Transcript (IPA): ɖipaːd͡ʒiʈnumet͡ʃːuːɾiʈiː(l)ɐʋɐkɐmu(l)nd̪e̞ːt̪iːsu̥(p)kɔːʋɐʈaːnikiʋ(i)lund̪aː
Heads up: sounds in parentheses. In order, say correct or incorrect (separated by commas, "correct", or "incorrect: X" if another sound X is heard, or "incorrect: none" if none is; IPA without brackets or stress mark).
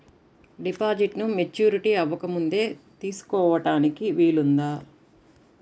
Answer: incorrect: none, incorrect: none, incorrect: none, incorrect: iː